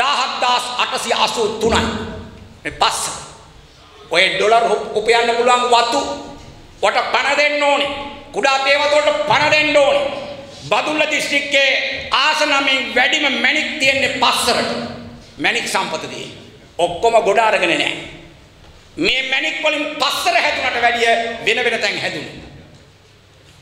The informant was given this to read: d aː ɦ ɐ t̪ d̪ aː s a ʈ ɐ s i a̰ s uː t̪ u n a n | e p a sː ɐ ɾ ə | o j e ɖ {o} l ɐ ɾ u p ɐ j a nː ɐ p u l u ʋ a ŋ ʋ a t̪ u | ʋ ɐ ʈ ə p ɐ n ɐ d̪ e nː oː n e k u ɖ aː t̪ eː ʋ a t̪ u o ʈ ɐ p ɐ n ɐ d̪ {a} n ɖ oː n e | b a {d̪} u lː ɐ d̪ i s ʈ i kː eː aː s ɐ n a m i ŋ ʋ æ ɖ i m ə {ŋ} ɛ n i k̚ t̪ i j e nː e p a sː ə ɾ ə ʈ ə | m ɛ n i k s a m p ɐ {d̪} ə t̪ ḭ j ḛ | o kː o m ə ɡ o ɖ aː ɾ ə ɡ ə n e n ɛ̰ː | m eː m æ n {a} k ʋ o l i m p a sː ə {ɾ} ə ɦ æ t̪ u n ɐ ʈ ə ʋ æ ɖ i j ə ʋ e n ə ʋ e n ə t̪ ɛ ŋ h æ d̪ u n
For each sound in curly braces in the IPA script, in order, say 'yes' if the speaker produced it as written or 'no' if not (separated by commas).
yes, no, yes, no, no, no, yes